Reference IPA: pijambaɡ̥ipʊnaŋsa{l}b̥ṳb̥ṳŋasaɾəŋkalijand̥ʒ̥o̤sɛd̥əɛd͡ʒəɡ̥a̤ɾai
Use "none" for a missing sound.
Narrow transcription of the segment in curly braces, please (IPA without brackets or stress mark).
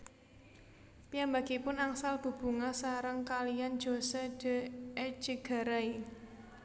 l